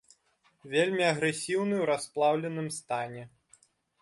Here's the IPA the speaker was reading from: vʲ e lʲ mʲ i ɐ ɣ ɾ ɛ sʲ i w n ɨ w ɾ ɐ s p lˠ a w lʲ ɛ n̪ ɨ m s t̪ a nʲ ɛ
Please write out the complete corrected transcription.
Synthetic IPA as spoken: vʲ e lʲ mʲ i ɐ ɣ ɾ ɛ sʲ i w n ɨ w ɾ a s p lˠ a w lʲ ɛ n̪ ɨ m s t̪ a nʲ ɛ